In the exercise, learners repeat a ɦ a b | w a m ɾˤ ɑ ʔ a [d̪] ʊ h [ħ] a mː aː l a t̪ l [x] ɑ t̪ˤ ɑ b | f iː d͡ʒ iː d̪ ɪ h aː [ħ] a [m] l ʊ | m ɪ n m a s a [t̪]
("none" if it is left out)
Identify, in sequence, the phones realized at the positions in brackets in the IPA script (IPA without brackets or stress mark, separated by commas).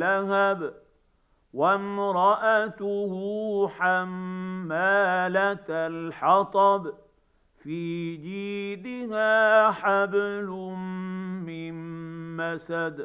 t̪, ħ, ħ, ħ, b, d̪